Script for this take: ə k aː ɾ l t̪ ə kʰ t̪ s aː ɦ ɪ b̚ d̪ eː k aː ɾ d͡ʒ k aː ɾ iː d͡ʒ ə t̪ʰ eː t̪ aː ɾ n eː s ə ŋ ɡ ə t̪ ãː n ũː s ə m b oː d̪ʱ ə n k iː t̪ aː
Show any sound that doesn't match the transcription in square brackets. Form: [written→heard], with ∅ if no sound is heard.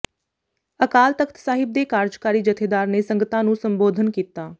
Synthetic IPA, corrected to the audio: ə k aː [ɾ→∅] l t̪ ə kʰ t̪ s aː ɦ ɪ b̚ d̪ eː k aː ɾ d͡ʒ k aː ɾ iː d͡ʒ ə t̪ʰ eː [t̪→d̪] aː ɾ n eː s ə ŋ ɡ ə t̪ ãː n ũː s ə m b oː d̪ʱ ə n k iː t̪ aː